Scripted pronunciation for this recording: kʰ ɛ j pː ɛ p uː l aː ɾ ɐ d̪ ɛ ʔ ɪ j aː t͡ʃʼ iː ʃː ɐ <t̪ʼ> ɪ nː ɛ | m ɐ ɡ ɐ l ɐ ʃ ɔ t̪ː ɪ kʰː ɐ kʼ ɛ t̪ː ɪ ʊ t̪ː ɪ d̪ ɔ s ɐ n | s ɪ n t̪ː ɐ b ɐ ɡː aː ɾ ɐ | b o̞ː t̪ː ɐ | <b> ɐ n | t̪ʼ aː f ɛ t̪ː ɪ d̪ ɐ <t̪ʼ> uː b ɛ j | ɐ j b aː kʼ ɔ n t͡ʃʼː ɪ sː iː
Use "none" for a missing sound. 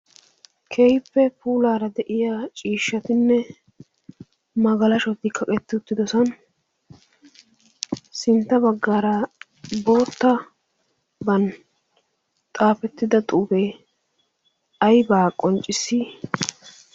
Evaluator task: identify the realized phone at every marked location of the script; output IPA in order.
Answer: t̪, b, t̪ʼ

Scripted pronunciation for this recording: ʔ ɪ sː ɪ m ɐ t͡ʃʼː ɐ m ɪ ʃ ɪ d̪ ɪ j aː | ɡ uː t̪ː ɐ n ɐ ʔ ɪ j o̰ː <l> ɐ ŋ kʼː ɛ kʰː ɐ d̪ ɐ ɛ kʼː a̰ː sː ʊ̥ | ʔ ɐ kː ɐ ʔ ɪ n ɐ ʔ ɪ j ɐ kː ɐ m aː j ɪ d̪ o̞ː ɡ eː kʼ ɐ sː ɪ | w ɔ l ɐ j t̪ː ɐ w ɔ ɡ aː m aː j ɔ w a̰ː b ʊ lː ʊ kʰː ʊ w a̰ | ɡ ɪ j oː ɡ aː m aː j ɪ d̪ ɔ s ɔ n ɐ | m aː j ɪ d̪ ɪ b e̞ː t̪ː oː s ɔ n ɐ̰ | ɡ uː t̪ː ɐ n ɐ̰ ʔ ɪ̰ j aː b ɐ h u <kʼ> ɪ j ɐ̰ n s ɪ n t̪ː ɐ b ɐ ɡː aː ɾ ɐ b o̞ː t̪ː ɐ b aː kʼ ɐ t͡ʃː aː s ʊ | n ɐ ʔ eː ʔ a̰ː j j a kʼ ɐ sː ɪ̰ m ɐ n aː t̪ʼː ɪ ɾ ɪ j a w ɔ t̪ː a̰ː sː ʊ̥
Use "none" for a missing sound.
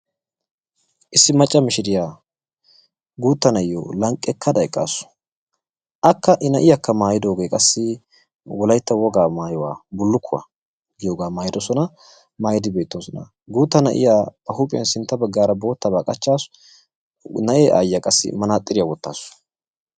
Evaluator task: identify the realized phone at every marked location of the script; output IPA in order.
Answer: l, pʼ

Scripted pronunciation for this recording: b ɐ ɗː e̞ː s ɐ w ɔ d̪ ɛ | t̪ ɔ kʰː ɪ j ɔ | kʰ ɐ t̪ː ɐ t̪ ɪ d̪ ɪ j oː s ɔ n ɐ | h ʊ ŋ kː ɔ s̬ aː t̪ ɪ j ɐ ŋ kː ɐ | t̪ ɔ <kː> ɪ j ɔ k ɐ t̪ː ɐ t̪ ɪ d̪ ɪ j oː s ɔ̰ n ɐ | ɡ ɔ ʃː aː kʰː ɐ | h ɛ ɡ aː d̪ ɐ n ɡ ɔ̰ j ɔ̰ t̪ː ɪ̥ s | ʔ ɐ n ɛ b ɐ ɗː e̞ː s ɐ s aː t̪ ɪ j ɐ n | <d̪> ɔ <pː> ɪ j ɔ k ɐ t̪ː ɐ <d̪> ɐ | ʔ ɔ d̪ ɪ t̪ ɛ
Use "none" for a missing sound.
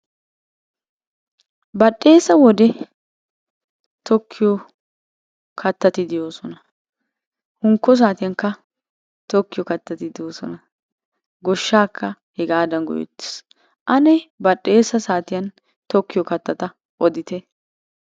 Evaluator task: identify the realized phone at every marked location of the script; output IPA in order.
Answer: kː, t̪, kː, t̪

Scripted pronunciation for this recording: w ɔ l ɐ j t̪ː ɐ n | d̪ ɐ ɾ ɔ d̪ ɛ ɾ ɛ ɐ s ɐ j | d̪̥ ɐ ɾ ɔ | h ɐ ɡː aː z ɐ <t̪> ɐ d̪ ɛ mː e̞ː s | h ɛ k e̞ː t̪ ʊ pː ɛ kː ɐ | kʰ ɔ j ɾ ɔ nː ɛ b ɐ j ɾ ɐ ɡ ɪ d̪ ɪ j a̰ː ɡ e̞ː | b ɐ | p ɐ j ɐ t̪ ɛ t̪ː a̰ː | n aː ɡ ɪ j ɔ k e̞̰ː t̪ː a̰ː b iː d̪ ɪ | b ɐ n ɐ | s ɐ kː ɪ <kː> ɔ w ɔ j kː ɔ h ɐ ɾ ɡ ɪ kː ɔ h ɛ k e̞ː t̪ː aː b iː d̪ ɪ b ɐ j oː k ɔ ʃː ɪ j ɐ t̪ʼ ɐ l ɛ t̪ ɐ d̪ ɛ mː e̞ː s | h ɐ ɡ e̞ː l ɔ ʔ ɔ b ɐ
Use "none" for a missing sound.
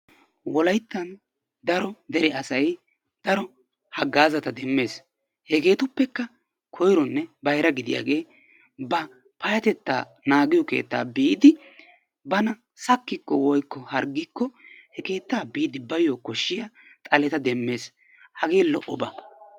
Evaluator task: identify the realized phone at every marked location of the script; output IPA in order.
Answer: t̪, kː

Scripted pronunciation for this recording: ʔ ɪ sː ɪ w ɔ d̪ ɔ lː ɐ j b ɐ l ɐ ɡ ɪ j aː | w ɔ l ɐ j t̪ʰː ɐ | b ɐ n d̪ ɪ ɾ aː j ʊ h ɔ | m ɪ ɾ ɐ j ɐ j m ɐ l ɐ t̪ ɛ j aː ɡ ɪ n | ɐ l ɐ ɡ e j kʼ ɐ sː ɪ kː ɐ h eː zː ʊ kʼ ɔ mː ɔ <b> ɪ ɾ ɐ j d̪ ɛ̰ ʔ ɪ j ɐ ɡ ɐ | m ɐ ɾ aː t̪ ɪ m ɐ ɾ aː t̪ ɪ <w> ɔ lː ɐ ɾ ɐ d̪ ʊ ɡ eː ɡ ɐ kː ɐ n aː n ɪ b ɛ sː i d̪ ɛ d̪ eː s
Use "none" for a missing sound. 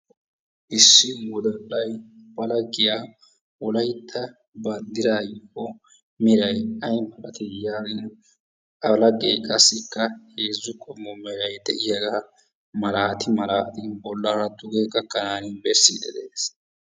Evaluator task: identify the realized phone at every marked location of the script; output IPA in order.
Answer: m, b

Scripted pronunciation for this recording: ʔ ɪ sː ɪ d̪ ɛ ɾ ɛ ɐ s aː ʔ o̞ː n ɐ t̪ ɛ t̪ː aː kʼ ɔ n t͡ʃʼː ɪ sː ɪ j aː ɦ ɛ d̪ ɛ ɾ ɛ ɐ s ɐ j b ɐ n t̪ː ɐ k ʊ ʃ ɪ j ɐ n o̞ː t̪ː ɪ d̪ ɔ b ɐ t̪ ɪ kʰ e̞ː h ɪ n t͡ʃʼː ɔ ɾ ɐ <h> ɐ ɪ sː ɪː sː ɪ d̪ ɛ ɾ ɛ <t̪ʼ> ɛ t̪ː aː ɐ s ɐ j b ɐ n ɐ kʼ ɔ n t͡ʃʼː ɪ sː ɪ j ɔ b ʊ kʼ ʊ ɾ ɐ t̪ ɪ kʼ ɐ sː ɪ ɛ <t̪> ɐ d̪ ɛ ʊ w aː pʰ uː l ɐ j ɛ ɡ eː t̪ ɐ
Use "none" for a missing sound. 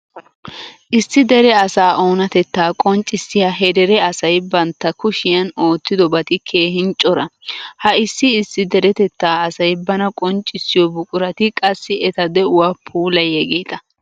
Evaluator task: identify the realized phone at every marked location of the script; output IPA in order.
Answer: h, t̪, t̪

